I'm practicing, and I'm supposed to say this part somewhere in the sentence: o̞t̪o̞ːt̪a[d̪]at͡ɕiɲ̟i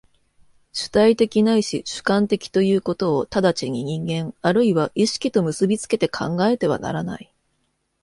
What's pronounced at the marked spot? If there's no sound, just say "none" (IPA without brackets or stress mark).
d̪